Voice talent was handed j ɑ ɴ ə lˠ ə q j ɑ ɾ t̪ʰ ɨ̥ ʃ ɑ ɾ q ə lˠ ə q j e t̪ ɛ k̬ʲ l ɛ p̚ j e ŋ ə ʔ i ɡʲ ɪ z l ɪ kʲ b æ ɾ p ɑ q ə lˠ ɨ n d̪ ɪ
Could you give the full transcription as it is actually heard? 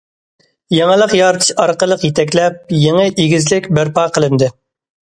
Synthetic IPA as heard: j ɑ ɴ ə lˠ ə q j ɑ ɾ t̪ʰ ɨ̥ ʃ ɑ ɾ q ə lˠ ə q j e t̪ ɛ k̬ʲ l ɛ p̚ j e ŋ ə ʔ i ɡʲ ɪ z l ɪ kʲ b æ ɾ p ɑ q ə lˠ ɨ n d̪ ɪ